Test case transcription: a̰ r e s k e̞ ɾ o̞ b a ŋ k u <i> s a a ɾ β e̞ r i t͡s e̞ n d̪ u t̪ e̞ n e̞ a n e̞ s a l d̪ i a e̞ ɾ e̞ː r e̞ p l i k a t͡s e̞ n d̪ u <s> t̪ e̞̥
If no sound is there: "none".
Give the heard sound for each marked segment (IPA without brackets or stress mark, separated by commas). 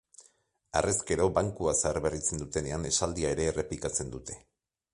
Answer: a, none